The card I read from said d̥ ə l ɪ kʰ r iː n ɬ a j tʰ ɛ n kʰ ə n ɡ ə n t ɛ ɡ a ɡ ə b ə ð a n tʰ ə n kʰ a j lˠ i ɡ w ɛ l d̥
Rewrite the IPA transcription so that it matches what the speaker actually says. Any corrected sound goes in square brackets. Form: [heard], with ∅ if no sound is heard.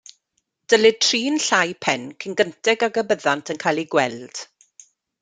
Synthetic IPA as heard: d̥ ə l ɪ [tʰ] r iː n ɬ a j [pʰ] ɛ n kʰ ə n ɡ ə n t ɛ ɡ a ɡ ə b ə ð a n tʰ ə n kʰ a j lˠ i ɡ w ɛ l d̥